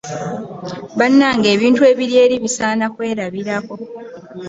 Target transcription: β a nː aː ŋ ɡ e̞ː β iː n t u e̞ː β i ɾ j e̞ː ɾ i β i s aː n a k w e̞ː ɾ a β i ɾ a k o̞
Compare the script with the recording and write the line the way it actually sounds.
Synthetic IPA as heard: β a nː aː ŋ ɡ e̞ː β iː n t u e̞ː β i ɾ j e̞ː ɾ i β i s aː n a k w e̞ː ɾ a β i ɾ a k o̞